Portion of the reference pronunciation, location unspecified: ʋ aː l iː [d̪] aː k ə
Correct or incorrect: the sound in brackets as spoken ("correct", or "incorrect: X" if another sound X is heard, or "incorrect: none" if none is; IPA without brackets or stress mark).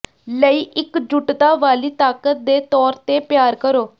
incorrect: t̪